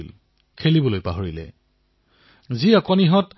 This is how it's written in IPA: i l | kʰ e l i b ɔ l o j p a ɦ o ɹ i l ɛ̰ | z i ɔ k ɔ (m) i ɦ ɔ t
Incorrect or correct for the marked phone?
incorrect: n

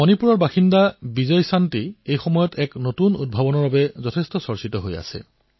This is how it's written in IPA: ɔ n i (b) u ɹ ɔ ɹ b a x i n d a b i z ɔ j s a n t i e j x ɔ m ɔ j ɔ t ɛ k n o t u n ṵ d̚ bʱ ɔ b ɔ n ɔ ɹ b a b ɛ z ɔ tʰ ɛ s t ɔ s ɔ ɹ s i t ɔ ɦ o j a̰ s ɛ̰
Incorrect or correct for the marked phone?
incorrect: p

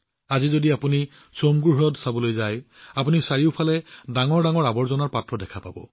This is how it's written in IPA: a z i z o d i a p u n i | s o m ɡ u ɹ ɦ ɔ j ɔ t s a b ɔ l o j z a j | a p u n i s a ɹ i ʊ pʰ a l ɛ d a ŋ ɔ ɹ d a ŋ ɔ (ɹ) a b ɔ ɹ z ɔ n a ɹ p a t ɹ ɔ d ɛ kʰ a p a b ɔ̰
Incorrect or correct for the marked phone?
correct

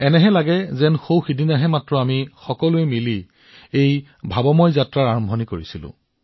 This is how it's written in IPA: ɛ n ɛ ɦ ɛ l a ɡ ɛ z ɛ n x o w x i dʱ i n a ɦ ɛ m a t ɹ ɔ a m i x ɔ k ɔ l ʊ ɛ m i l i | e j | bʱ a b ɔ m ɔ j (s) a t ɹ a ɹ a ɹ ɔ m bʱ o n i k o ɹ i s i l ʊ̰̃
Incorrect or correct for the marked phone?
incorrect: z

